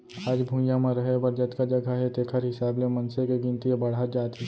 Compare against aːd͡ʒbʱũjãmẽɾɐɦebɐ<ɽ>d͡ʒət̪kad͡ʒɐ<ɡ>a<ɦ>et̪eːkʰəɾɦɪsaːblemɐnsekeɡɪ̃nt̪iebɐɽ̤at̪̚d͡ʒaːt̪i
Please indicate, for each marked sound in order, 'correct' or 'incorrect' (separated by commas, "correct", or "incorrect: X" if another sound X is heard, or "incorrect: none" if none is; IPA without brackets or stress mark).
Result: incorrect: ɾ, correct, correct